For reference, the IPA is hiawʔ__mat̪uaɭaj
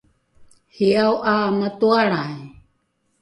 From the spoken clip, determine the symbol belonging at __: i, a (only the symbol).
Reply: a